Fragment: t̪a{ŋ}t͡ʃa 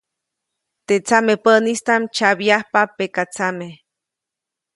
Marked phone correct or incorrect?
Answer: incorrect